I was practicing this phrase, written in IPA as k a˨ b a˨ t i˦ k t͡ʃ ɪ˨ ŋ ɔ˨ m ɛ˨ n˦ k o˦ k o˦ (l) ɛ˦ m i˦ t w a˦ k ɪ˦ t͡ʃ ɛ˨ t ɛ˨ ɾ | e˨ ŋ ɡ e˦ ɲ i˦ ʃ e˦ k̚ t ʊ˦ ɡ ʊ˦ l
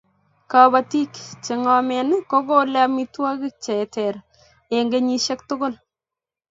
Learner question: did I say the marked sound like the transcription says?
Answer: yes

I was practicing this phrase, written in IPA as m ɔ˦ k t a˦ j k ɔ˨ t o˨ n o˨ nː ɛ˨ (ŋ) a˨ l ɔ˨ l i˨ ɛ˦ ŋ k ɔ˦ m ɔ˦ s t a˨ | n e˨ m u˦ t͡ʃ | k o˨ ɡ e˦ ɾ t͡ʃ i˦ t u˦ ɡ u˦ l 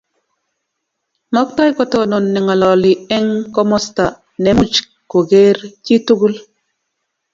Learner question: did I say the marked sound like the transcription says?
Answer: yes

